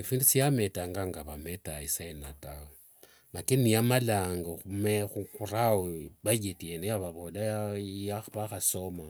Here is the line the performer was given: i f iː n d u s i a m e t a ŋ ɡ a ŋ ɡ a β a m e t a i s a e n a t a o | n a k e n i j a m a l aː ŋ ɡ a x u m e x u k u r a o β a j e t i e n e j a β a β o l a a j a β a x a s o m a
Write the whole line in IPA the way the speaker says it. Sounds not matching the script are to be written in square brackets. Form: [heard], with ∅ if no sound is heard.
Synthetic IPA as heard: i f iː n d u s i a m e t a ŋ ɡ a ŋ ɡ a β a m e t a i s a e n a t a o | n a k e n i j a m a l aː ŋ ɡ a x u m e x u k u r a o β a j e t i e n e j a β a β o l a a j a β a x a s o m a